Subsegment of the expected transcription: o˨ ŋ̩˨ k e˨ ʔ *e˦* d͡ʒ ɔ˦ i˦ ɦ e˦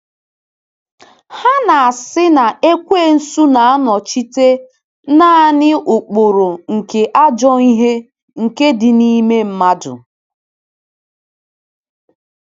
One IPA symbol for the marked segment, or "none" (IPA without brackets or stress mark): a˦